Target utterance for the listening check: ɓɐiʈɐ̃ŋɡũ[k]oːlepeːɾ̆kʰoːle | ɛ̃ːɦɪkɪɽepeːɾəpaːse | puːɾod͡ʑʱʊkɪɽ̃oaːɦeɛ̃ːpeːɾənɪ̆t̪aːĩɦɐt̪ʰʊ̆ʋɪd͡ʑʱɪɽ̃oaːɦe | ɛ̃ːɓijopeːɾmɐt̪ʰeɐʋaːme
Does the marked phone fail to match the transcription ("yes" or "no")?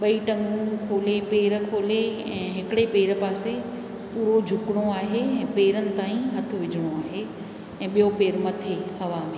yes